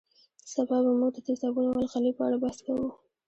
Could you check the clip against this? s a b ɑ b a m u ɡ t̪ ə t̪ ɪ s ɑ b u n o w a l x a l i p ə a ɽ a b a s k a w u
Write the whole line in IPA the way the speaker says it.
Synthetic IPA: s a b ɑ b a m u ɡ d̪ ə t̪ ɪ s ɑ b u n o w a l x a l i p ə a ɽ a b a s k a w u